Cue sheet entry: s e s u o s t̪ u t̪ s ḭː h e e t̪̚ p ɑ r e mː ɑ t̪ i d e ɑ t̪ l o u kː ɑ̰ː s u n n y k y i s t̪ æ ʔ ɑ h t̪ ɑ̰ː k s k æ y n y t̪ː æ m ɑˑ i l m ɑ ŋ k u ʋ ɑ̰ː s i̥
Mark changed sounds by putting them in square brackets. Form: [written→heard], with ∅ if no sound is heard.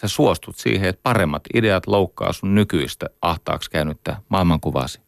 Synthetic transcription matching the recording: s e s u o s t̪ u t̪ s ḭː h e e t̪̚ p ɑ r e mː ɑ t̪ i d e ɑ t̪ l o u kː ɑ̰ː s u n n y k y i s t̪ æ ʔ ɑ h t̪ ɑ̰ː k s k æ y n y t̪ː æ m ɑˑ i l m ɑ ŋ k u ʋ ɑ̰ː s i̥